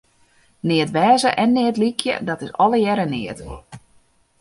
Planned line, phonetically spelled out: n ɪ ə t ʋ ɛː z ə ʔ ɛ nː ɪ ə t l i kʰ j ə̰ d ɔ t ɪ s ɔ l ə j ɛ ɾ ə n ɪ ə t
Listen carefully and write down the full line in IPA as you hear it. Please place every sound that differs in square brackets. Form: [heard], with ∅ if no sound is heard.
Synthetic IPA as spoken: n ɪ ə t ʋ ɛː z ə ʔ ɛ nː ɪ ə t l i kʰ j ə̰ d ɔ t ɪ s ɔ l ə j ɛ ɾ ə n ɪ ə t